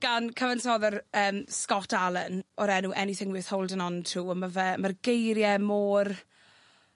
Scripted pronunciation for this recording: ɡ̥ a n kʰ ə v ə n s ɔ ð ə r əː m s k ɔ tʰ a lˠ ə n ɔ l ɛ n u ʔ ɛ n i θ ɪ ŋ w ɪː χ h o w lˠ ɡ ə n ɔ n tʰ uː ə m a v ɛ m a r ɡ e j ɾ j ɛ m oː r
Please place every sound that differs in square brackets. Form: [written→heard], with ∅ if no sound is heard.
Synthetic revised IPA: ɡ̥ a n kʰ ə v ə n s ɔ ð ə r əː m s k ɔ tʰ a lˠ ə n ɔ [l→ɾ] ɛ n u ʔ ɛ n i θ ɪ ŋ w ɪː [χ→θ] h o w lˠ [ɡ→d] ə n ɔ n tʰ uː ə m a v ɛ m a r ɡ e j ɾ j ɛ m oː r